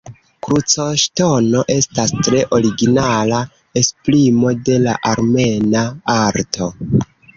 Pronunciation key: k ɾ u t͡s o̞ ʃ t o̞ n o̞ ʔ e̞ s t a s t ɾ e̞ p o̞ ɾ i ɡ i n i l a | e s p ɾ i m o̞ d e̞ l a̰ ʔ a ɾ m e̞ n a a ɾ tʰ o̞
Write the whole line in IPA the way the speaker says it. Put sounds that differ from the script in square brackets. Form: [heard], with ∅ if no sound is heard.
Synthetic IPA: k ɾ u t͡s o̞ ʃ t o̞ n o̞ ʔ e̞ s t a s t ɾ e̞ [ʔ] o̞ ɾ i ɡ i n [a] l a | e s p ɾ i m o̞ d e̞ l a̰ ʔ a ɾ m e̞ n a a ɾ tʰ o̞